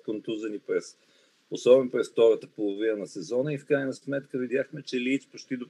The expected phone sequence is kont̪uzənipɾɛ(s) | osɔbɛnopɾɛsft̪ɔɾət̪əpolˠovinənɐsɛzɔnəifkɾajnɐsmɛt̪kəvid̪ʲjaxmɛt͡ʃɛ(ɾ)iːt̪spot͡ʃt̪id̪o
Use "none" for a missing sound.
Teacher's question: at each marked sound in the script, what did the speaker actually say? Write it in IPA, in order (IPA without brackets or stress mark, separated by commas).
s, l